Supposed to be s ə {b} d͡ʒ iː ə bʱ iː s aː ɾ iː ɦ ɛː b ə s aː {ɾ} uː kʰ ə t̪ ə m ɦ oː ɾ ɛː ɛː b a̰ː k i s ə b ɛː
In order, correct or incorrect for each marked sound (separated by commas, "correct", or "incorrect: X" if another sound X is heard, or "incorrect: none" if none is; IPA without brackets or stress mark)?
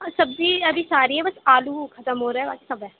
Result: correct, incorrect: l